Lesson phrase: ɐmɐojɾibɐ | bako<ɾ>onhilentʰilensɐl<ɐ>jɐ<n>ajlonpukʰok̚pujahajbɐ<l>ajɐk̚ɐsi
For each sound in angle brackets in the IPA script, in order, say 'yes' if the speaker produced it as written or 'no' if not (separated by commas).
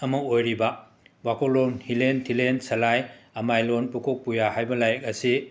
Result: no, no, no, yes